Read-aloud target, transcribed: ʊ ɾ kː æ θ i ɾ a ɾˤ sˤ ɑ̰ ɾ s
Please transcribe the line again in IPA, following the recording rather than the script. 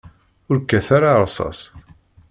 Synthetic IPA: ʊ ɾ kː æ θ a ɾ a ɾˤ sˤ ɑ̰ s